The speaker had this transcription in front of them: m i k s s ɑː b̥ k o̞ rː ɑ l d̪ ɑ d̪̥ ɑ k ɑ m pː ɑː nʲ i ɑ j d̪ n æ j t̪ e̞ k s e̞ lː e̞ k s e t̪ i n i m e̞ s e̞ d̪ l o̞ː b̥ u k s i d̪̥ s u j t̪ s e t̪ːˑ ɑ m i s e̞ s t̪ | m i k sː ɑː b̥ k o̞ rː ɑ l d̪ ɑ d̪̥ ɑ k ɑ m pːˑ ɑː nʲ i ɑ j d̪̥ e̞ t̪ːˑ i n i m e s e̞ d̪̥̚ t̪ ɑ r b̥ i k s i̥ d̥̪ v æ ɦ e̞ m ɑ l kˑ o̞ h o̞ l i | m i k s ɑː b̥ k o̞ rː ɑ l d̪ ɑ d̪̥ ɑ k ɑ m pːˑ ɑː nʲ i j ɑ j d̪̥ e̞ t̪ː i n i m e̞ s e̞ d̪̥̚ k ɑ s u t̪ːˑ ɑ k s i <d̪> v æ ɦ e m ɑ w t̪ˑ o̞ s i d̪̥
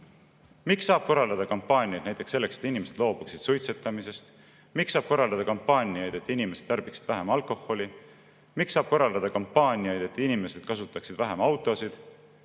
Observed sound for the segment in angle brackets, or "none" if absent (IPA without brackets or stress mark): d̪